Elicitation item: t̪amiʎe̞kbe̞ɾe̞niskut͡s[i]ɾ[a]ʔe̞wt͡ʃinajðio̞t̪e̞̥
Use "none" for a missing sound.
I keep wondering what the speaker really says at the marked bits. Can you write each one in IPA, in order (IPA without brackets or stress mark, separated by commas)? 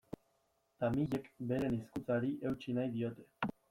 a, i